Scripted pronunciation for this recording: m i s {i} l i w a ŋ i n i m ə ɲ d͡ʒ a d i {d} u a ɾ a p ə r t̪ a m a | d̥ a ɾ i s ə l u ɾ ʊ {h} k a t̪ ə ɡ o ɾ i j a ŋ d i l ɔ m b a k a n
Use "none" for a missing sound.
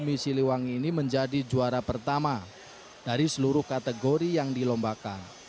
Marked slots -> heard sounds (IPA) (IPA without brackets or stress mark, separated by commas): i, d͡ʒ, h